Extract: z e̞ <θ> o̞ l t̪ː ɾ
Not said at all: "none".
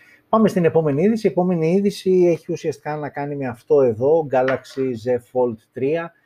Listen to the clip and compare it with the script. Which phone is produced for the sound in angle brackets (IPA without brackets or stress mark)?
f